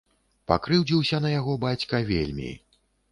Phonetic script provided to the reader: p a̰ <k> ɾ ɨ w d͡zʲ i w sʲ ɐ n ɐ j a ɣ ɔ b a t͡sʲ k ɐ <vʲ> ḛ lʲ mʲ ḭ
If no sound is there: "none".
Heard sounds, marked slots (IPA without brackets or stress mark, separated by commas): k, vʲ